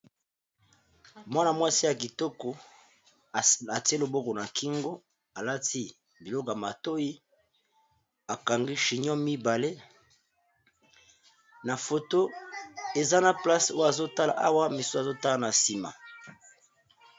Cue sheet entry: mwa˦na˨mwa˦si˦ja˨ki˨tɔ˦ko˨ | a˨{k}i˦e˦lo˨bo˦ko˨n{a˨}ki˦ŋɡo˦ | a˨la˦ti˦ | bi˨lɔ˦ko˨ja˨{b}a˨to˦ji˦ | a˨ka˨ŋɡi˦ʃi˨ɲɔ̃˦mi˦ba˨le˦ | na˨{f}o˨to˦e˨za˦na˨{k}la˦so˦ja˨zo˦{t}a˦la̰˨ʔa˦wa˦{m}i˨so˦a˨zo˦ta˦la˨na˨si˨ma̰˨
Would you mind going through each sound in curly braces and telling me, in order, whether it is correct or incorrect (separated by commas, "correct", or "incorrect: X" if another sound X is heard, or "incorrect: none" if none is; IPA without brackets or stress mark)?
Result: incorrect: t, correct, incorrect: m, correct, incorrect: p, correct, correct